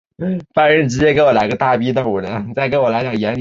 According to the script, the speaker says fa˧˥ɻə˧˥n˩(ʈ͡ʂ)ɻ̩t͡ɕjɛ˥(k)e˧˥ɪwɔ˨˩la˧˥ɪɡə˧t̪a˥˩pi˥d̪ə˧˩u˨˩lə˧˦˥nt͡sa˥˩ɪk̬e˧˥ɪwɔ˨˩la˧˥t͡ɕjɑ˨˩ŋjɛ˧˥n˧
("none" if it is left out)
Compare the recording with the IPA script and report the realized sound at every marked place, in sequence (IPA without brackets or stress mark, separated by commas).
ʈ͡ʂ, k